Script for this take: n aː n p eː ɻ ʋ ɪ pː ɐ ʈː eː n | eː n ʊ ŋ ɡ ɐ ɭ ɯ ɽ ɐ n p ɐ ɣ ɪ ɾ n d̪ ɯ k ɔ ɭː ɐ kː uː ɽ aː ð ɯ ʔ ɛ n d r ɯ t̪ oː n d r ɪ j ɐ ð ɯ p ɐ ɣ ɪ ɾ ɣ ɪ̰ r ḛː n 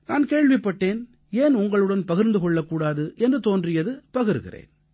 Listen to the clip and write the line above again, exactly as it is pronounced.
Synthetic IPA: n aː n k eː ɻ ʋ ɪ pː ɐ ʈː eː n | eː n ʊ ŋ ɡ ɐ ɭ ɯ ɽ ɐ n p ɐ ɣ ɪ ɾ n d̪ ɯ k ɔ ɭː ɐ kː uː ɽ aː ð ɯ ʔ ɛ n d r ɯ t̪ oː n d r ɪ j ɐ ð ɯ p ɐ ɣ ɪ ɾ ɣ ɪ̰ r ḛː n

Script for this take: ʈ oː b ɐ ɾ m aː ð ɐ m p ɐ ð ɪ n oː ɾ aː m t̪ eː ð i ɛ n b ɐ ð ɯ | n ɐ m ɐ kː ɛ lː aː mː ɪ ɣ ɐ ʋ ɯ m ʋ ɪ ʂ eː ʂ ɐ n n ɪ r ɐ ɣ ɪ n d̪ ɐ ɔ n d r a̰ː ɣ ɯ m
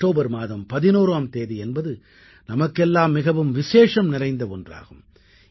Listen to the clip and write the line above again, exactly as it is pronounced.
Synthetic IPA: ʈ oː b ɐ ɾ m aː ð ɐ m p ɐ ð ɪ n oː ɾ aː m t̪ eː ð i ɛ n b ɐ ð ɯ | n ɐ m ɐ kː ɛ lː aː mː ɪ ɣ ɐ ʋ ɯ m ʋ ɪ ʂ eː ʂ ɐ m n ɪ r ɐ ɪ n d̪ ɐ ɔ n d r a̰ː ɣ ɯ m

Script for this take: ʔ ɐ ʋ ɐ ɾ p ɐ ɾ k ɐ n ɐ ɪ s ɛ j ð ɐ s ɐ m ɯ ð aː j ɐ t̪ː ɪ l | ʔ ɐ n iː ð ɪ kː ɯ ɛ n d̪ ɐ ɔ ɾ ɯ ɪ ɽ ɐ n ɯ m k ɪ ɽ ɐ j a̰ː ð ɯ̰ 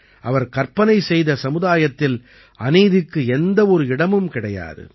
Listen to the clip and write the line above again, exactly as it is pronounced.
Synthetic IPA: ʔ ɐ ʋ ɐ ɾ k ɐ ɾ p ɐ n ɐ ɪ s ɛ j ð ɐ s ɐ m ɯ ð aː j ɐ t̪ː ɪ l | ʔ ɐ n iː ð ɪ kː ɯ ɛ n d̪ ɐ ɔ ɾ ɯ ɪ ɽ ɐ m ɯ m k ɪ ɽ ɐ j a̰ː ð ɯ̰

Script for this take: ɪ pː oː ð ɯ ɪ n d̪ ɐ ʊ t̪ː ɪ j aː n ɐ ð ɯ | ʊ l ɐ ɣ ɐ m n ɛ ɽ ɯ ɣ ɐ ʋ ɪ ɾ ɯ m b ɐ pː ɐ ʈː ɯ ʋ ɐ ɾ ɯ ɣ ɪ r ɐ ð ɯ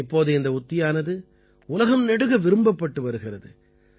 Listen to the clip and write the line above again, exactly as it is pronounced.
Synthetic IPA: ɪ pː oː ð ɯ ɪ n d̪ ɐ ʊ t̪ː ɪ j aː n ɐ ð ɯ | ʊ l ɐ ɣ ɐ m n ɛ ɽ ɯ ɣ ɐ ʋ ɪ ɾ ɯ m b ɐ pː ɐ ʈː ɯ ʋ ɐ ɾ ɯ ɣ ɪ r ɐ ð ɯ

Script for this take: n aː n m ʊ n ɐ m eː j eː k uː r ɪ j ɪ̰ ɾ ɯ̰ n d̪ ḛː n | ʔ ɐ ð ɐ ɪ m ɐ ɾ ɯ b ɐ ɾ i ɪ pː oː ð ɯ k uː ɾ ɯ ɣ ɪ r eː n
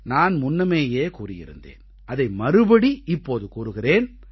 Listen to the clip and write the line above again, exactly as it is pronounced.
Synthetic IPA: n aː n m ʊ nː ɐ m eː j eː k uː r ɪ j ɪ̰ ɾ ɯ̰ n d̪ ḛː n | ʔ ɐ ð ɐ ɪ m ɐ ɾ ɯ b ɐ ɽ i ɪ pː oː ð ɯ k uː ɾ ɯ ɣ ɪ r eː n

